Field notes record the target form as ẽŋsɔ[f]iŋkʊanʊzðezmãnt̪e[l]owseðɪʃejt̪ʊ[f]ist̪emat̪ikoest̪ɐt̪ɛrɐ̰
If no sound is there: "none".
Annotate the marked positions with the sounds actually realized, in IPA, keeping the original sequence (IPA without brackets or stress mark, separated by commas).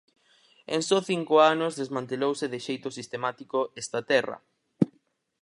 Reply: θ, l, s